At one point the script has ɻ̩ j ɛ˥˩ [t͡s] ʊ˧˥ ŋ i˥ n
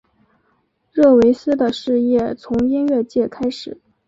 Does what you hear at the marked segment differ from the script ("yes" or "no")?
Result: yes